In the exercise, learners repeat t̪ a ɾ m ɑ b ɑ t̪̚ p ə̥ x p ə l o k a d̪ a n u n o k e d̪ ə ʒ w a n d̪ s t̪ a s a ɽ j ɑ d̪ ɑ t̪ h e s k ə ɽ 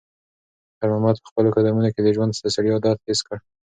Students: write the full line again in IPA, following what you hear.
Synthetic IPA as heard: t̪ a ɾ m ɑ m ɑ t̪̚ p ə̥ x p ə l o k a d̪ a m u n o k e d̪ ə ʒ w a n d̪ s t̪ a s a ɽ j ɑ d̪ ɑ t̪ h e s k ə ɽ